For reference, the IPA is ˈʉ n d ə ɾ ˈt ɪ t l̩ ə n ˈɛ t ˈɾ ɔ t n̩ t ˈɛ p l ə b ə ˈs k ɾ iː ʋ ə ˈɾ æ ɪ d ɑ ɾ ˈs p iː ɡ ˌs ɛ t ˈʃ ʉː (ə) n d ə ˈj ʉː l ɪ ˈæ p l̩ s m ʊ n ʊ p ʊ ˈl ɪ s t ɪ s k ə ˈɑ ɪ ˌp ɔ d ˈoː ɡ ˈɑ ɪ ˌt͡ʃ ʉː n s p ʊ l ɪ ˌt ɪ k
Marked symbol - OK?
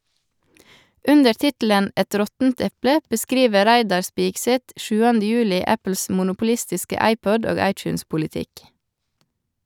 no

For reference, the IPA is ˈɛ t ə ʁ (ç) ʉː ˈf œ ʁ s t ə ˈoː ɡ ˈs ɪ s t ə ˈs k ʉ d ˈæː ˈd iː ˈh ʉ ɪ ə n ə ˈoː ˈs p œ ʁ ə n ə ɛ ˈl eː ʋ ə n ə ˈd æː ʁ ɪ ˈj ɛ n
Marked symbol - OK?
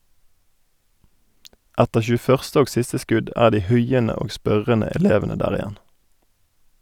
yes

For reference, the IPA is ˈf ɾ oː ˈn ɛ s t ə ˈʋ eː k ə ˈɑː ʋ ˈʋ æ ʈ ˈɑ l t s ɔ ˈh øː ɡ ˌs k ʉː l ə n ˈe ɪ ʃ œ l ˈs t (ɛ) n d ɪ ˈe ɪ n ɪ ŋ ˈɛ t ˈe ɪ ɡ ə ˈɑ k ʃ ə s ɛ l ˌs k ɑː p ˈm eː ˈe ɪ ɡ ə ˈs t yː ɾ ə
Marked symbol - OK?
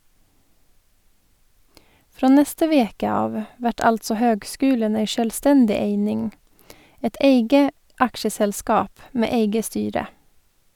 yes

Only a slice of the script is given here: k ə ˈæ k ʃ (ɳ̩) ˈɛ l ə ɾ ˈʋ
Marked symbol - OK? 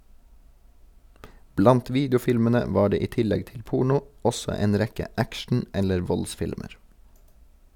yes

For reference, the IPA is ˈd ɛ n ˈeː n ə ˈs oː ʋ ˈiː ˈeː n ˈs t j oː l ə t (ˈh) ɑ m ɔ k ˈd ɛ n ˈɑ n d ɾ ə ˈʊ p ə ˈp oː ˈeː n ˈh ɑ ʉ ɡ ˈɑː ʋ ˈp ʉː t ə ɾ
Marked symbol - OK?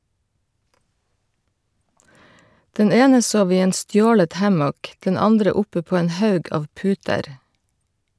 yes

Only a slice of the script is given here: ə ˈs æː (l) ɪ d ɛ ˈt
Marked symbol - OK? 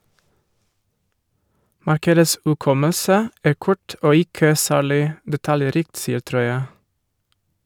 no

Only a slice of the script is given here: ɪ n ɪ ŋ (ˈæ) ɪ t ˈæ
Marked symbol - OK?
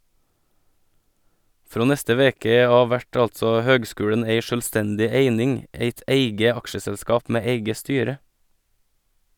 no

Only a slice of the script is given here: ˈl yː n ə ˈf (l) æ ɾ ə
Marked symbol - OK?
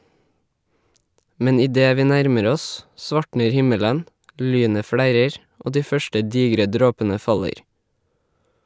no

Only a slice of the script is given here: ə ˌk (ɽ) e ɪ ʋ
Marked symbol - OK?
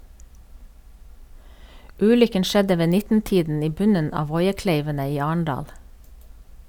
no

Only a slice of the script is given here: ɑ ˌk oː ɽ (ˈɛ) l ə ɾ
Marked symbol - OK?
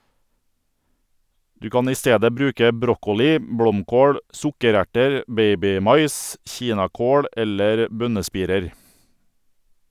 yes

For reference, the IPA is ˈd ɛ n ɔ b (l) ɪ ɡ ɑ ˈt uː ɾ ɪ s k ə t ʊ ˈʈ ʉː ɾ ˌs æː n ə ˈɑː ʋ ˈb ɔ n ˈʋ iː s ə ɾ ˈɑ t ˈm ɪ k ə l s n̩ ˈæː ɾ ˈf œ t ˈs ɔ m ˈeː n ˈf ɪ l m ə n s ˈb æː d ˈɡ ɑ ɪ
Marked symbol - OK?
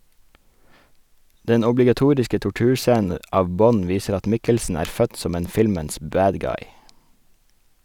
yes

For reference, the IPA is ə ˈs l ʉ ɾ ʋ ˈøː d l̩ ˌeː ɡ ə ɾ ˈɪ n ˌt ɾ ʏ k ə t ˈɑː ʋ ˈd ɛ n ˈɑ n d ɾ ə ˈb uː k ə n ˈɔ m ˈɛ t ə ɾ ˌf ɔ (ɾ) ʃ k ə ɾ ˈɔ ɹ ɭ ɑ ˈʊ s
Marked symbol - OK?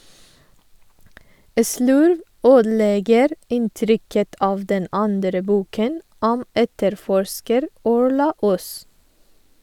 no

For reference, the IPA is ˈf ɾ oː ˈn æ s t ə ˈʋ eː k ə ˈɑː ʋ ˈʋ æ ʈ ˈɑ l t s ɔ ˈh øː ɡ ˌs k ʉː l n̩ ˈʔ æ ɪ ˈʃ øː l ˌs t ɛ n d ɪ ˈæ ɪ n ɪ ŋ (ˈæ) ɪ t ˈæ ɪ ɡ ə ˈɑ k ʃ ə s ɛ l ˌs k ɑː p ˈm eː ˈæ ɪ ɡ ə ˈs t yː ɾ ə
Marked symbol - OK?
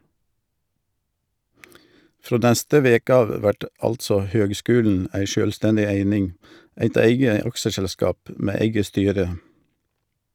yes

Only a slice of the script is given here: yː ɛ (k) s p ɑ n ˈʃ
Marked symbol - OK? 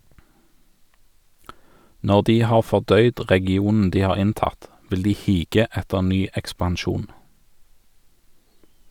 yes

